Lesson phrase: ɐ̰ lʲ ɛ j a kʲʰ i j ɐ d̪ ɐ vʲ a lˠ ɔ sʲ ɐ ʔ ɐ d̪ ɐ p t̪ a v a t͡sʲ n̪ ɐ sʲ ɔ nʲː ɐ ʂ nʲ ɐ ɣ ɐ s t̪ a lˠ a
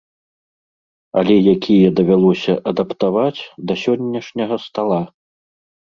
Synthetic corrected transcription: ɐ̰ lʲ ɛ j a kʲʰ i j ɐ d̪ ɐ vʲ a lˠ ɔ sʲ ɐ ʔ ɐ d̪ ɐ p t̪ a v a t͡sʲ d̪ ɐ sʲ ɔ nʲː ɐ ʂ nʲ ɐ ɣ ɐ s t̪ a lˠ a